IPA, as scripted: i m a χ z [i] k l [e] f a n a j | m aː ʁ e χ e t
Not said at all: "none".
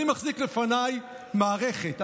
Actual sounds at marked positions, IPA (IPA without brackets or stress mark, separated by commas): i, e